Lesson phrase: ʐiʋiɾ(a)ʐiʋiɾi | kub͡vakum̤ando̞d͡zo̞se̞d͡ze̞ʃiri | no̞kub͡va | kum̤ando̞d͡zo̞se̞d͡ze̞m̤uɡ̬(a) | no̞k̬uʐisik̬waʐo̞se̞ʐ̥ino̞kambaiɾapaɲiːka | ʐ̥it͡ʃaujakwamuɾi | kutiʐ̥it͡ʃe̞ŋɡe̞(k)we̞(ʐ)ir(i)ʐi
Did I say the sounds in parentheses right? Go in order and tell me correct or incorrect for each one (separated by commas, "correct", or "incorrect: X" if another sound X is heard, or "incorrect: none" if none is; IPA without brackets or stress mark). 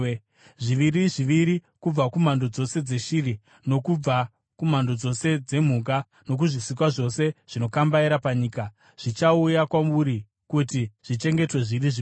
incorrect: i, correct, incorrect: t, correct, correct